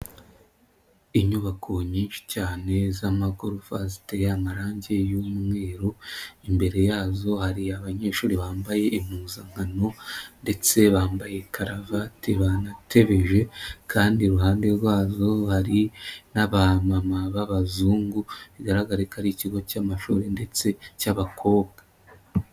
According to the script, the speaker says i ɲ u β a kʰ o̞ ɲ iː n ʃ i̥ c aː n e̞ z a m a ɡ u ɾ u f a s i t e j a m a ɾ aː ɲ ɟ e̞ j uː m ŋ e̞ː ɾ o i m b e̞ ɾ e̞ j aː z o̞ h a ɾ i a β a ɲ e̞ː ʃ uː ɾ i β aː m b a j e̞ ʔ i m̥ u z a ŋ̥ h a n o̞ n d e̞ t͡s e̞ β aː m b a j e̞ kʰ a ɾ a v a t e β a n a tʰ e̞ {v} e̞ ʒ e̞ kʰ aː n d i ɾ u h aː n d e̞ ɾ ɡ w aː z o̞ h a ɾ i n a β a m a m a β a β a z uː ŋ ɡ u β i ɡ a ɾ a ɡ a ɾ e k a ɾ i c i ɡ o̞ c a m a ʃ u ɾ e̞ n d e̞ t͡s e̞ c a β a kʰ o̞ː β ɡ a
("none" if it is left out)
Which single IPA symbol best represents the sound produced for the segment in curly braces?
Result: β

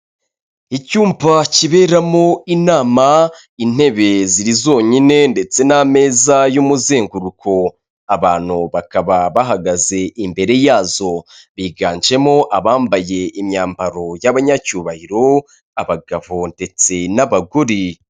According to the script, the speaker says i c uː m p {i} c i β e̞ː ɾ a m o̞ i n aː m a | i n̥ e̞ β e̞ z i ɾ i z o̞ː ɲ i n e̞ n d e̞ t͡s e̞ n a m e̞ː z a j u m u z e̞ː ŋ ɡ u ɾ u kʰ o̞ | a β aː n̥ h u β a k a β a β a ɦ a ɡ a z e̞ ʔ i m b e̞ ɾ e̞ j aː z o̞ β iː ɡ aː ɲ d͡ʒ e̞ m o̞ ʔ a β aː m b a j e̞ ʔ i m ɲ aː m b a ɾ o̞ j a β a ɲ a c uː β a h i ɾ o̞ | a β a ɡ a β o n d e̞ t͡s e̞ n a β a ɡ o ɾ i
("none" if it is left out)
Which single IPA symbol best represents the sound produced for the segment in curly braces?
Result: a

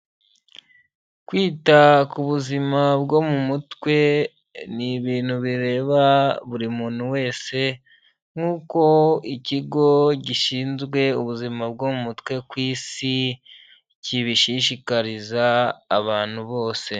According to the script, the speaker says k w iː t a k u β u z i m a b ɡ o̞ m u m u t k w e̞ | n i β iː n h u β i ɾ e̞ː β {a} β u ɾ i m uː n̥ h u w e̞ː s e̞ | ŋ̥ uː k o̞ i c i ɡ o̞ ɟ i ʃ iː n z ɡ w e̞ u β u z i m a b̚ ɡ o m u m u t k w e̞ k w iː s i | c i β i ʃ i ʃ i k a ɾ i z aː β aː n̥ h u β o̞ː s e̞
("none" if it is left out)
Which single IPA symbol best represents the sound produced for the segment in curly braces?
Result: a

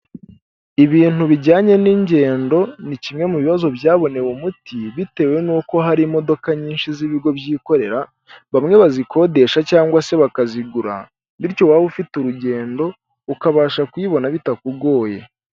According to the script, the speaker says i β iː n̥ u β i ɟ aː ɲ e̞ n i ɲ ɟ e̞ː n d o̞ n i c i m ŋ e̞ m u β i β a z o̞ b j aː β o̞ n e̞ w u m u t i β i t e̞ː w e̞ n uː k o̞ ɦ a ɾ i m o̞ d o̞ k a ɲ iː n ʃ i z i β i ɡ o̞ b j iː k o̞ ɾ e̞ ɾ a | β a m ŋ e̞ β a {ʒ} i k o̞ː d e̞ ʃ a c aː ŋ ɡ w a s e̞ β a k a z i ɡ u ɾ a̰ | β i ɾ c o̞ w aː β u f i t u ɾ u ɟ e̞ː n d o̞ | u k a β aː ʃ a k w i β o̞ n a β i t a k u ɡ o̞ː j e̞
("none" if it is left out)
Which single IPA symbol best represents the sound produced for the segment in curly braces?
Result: z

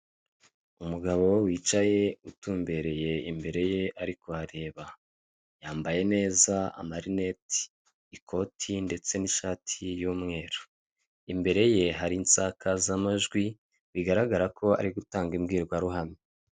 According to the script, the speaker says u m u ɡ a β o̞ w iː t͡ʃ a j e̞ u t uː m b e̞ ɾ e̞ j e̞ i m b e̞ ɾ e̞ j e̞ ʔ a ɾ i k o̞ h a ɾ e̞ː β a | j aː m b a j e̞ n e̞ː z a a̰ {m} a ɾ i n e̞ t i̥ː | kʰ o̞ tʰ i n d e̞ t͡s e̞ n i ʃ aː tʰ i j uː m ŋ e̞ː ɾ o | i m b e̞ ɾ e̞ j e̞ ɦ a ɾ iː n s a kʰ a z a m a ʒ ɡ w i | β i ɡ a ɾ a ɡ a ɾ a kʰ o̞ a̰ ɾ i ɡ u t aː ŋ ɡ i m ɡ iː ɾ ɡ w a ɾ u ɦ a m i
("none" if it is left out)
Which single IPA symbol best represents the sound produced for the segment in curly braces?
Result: m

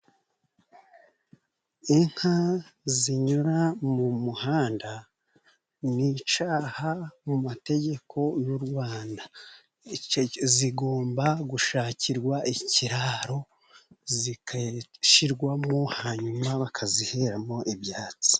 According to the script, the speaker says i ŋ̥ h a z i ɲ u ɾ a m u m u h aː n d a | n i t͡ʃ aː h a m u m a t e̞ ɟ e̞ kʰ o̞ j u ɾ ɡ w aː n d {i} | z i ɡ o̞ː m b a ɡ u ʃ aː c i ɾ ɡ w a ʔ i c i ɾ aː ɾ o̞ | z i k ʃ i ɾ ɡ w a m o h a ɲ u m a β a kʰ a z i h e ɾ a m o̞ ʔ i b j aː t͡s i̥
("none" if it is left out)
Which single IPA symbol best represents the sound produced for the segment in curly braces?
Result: a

